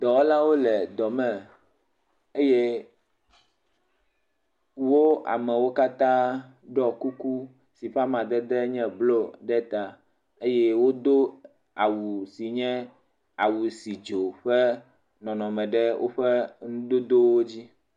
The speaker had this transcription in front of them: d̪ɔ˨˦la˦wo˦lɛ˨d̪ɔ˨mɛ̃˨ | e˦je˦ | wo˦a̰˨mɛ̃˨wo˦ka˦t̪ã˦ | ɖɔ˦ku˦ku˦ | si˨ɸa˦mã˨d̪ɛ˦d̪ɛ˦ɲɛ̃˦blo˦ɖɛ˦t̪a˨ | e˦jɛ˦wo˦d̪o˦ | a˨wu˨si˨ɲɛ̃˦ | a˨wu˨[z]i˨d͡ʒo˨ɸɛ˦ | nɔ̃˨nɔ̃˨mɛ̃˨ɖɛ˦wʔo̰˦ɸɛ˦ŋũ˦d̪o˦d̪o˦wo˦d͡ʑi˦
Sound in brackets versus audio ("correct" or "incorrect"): incorrect